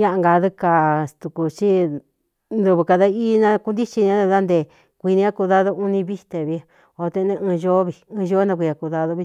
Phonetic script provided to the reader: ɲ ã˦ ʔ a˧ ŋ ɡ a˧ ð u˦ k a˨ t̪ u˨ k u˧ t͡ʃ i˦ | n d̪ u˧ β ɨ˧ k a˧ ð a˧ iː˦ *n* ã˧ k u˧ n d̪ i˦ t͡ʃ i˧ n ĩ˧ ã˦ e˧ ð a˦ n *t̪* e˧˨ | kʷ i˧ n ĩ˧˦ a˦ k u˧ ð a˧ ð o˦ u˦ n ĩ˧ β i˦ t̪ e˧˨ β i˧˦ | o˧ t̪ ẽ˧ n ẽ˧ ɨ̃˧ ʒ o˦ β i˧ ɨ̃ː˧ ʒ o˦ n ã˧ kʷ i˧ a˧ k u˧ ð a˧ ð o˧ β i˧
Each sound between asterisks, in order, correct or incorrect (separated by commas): correct, incorrect